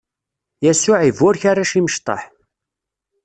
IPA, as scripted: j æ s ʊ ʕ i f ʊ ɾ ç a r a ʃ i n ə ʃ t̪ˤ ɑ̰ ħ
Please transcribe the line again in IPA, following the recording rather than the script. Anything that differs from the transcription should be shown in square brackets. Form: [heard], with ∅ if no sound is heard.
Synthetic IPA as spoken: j æ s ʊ ʕ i [v] ʊ ɾ ç a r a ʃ i [m] ə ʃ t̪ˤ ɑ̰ ħ